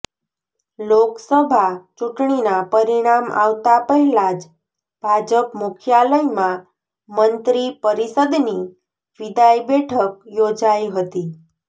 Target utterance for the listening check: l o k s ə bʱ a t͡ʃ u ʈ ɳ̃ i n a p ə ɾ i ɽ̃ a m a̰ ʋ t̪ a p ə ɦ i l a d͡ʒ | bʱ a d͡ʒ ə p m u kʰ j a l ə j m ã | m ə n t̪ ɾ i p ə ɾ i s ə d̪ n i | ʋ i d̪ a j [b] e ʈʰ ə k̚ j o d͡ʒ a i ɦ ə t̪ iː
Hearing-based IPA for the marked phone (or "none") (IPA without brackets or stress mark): b